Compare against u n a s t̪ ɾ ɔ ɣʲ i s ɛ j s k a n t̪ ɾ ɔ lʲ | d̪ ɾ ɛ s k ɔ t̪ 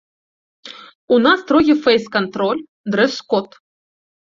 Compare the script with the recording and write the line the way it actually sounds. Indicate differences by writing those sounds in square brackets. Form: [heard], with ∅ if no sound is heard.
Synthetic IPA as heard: u n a s t̪ ɾ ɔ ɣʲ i [f] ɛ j s k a n t̪ ɾ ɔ lʲ | d̪ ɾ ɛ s k ɔ t̪